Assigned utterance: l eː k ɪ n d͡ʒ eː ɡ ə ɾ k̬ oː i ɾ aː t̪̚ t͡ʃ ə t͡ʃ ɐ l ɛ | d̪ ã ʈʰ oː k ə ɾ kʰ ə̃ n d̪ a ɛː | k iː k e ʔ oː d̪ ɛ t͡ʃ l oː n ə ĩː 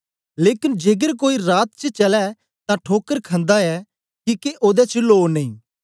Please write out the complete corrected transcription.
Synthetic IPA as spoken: l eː k ɪ n d͡ʒ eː ɡ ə ɾ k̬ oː i ɾ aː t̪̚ t͡ʃ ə t͡ʃ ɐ l ɛ | t̪ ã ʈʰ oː k ə ɾ kʰ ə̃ n d̪ a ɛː | k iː k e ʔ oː d̪ ɛ t͡ʃ l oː n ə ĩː

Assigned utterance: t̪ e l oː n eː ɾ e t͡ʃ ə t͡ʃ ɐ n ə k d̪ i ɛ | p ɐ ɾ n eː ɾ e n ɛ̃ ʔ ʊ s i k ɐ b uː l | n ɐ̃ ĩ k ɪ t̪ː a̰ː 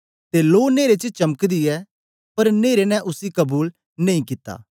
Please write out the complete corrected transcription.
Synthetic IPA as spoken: t̪ e l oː n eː ɾ e t͡ʃ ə t͡ʃ ɐ m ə k d̪ i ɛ | p ɐ ɾ n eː ɾ e n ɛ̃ ʔ ʊ s i k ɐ b uː l | n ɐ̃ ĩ k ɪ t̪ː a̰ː

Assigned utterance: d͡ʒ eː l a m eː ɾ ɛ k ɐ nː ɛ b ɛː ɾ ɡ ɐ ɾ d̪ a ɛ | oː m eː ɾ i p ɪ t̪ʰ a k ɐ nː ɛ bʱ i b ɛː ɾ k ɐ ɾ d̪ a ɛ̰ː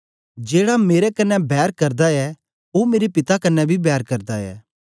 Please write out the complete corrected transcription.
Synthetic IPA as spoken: d͡ʒ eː ɽ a m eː ɾ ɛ k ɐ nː ɛ b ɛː ɾ k ɐ ɾ d̪ a ɛ | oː m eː ɾ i p ɪ t̪ a k ɐ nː ɛ bʱ i b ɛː ɾ k ɐ ɾ d̪ a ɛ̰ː

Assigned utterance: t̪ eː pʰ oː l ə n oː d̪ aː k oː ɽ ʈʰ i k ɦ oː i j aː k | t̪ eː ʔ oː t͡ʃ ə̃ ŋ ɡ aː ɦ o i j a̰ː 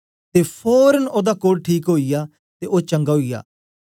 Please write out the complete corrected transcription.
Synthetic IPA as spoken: t̪ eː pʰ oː ɾ ə n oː d̪ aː k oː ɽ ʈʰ iː k ɦ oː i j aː | t̪ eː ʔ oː t͡ʃ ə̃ ŋ ɡ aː ɦ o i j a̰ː

